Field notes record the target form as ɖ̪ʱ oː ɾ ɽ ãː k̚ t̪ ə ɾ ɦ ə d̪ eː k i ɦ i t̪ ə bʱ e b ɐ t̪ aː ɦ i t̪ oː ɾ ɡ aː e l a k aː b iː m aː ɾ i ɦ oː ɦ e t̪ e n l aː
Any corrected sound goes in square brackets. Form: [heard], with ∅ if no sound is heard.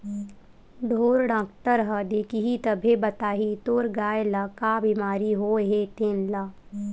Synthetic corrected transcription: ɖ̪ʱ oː ɾ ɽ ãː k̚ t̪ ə ɾ ɦ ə d̪ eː k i ɦ i t̪ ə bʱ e b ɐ t̪ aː ɦ i t̪ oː ɾ ɡ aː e l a k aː b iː m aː ɾ i ɦ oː ɦ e t̪ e n l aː